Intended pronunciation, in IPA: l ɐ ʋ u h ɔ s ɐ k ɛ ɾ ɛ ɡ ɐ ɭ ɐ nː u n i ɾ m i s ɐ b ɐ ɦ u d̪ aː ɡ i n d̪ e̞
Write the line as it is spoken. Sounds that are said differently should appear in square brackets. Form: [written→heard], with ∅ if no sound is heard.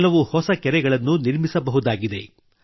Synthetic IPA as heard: l ɐ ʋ u h ɔ s ɐ k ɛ ɾ ɛ ɡ ɐ ɭ ɐ nː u n i ɾ m i s ɐ b ɐ ɦ u d̪ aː ɡ i [n→∅] d̪ e̞